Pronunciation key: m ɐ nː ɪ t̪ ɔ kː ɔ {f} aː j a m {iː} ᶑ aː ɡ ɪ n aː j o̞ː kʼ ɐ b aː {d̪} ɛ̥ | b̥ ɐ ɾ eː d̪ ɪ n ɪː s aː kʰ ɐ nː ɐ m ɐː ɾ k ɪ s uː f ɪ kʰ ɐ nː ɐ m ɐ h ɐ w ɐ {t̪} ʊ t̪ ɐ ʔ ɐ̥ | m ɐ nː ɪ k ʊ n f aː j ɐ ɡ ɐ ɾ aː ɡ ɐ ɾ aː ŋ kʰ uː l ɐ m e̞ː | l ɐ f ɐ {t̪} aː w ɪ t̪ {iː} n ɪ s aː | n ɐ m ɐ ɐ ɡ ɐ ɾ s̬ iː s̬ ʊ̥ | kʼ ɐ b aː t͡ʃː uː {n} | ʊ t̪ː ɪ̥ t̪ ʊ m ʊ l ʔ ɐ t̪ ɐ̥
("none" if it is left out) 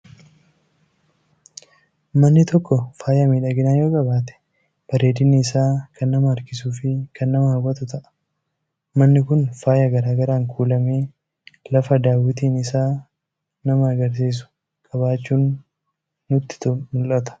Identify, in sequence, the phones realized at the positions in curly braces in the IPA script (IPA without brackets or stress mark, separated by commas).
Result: f, iː, t̪, t̪, d̪, iː, nː